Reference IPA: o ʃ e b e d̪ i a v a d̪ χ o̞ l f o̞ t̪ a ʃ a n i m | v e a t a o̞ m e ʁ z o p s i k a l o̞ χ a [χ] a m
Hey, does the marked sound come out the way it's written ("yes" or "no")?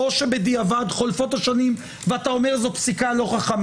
yes